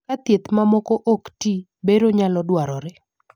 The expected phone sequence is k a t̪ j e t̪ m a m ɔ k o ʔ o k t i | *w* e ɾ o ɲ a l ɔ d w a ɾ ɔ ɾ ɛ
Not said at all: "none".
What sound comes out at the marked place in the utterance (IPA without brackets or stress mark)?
b